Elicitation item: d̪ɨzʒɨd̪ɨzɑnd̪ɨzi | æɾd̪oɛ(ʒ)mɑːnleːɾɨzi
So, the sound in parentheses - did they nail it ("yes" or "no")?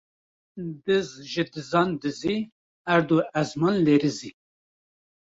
no